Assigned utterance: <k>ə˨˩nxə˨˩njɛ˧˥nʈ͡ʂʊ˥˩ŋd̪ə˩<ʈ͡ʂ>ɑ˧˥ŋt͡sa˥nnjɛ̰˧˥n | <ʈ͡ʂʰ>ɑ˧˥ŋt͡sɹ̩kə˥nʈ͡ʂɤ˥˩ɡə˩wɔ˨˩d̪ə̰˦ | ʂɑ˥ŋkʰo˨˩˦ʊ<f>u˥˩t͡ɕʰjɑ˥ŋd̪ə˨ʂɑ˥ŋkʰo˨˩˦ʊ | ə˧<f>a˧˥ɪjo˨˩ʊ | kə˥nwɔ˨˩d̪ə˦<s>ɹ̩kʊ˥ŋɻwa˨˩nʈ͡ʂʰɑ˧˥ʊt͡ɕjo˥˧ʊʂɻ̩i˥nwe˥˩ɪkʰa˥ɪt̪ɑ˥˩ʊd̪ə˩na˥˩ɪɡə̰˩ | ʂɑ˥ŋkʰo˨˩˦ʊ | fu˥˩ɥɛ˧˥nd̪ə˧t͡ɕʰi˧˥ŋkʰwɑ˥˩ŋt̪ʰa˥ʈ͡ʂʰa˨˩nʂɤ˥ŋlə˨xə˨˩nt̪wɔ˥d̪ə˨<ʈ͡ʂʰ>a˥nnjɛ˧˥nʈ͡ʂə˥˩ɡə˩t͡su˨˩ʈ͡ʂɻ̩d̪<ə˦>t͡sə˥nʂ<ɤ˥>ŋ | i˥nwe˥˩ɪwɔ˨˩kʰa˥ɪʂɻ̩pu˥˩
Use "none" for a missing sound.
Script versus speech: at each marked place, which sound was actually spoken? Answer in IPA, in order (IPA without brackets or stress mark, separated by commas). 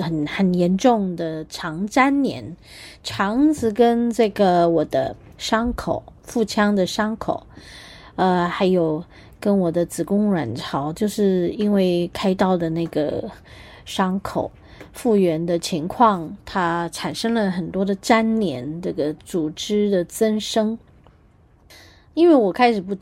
x, ʈ͡ʂʰ, ʈ͡ʂʰ, f, x, t͡s, ʈ͡ʂ, ə˨, ɤ˥